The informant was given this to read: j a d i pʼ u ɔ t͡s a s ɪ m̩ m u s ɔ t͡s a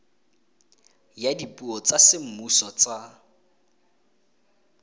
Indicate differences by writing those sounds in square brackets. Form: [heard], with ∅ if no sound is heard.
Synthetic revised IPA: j a d i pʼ u ɔ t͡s a s ɪ m̩ m u s ɔ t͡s a